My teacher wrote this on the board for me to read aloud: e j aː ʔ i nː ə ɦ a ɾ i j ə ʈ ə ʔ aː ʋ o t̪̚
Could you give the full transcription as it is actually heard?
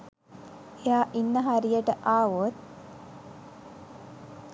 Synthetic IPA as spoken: e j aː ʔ i nː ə ɦ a ɾ i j ə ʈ ə ʔ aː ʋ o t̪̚